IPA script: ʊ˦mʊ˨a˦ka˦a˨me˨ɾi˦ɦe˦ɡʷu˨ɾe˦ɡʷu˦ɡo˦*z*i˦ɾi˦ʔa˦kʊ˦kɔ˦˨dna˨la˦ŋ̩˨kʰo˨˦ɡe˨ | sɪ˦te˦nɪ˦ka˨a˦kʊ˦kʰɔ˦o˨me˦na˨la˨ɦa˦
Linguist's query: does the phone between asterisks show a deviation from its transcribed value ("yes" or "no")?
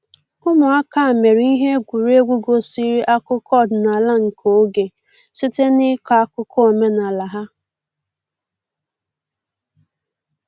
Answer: yes